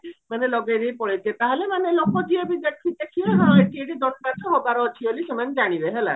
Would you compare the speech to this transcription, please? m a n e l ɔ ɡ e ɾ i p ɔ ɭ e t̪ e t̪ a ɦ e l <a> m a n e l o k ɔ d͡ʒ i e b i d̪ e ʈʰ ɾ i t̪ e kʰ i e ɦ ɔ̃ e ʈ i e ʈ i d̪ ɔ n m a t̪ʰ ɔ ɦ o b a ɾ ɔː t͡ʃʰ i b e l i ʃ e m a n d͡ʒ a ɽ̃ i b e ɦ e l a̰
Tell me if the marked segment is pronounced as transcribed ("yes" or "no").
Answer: no